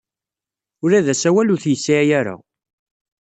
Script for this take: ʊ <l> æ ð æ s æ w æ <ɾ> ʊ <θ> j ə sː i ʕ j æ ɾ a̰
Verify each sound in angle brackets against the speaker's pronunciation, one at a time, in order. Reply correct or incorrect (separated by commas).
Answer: incorrect, incorrect, correct